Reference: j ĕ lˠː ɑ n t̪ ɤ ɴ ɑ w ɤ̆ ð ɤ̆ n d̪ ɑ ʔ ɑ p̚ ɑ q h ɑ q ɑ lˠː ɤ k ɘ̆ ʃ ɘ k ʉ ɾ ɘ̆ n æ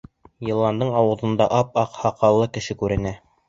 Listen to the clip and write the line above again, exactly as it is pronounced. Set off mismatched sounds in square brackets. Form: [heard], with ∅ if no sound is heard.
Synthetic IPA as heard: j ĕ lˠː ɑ n [d̪] ɤ ɴ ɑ w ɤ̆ ð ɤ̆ n d̪ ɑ ʔ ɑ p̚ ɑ q h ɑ q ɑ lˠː ɤ k ɘ̆ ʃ ɘ k ʉ ɾ ɘ̆ n æ